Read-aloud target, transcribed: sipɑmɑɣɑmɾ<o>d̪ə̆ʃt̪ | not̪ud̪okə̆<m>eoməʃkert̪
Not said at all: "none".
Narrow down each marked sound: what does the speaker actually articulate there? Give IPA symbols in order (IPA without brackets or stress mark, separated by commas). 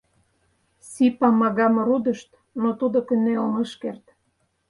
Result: u, n